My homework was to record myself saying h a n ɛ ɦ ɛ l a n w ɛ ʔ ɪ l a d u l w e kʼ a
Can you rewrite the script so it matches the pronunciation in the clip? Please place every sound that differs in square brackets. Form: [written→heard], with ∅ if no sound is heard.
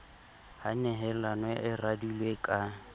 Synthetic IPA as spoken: h a n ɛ ɦ ɛ l a n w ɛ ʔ ɪ [l→r] a d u l w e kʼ a